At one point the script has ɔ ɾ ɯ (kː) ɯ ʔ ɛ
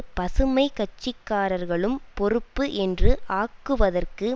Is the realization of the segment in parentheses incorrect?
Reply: yes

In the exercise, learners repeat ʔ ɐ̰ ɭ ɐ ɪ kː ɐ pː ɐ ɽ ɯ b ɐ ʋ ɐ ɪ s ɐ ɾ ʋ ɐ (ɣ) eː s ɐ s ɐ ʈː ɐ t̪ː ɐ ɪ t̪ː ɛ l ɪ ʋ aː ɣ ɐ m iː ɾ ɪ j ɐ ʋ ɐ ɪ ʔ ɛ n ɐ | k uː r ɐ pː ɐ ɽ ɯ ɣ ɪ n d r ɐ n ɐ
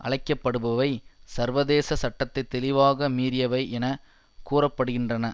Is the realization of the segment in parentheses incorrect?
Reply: yes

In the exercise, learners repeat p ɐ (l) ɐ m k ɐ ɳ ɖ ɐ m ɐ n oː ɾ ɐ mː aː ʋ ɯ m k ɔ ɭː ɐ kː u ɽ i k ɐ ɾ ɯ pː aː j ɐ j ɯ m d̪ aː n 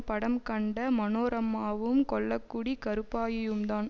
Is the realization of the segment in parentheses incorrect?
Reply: yes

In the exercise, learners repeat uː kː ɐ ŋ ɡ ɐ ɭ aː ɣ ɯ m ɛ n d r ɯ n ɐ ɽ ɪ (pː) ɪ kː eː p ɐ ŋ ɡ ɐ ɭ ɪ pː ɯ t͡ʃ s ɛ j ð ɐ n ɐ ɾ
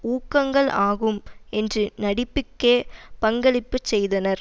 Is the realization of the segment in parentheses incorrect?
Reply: no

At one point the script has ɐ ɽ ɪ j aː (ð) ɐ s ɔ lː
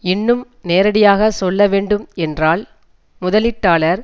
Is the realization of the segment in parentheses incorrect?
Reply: yes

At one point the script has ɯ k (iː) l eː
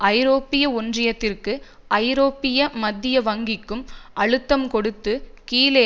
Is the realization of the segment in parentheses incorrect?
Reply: no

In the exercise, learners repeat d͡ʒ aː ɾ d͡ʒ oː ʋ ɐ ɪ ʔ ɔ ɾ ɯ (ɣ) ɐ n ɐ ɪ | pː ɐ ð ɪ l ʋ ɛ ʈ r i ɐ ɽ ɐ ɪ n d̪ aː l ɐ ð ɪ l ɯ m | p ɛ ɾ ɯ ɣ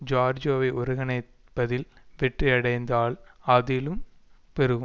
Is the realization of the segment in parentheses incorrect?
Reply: no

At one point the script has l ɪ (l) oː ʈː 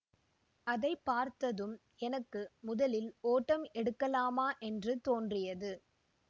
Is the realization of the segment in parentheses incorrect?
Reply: no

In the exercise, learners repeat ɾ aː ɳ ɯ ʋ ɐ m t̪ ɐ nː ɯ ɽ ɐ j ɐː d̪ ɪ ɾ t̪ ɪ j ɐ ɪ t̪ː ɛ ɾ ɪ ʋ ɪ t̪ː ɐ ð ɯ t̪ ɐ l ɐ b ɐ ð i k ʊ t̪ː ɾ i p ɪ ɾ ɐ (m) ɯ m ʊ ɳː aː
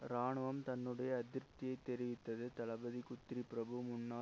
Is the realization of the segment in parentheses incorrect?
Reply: yes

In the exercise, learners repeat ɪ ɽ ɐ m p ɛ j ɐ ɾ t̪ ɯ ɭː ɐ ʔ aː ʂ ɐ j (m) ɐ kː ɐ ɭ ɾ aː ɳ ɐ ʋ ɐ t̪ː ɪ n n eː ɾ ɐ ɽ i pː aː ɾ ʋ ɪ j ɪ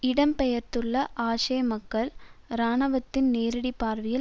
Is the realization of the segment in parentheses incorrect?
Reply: no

